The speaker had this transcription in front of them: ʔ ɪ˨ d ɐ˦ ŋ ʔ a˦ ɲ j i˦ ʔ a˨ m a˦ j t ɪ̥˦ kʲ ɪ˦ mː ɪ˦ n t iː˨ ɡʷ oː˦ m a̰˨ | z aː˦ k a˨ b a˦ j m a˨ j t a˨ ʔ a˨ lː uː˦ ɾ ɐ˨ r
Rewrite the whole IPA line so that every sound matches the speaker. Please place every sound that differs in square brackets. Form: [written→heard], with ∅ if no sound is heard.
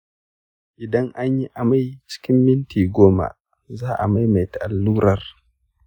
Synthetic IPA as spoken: ʔ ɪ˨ d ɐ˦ ŋ ʔ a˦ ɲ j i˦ ʔ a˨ m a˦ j [t→t͡ʃ] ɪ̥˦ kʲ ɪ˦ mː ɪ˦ n t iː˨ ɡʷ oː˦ m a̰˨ | z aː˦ [k→ʔ] a˨ [b→m] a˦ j m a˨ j t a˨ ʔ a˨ lː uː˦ ɾ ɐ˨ r